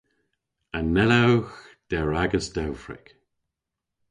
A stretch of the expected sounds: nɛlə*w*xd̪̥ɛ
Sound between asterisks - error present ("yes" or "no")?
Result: no